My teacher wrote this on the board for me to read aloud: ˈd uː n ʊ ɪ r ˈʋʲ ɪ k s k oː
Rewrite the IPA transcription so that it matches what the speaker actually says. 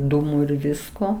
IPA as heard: ˈd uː m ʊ ɪ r ˈʋʲ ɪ s k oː